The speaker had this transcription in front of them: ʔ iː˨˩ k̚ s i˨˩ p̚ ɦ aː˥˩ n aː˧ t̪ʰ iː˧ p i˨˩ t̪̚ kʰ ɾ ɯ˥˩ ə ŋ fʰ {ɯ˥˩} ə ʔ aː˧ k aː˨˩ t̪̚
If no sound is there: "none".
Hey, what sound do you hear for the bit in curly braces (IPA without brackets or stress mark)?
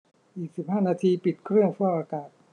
u˥˩